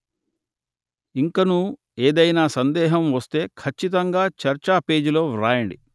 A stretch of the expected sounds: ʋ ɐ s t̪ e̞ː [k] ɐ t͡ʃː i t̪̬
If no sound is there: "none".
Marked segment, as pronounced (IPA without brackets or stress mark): kʰ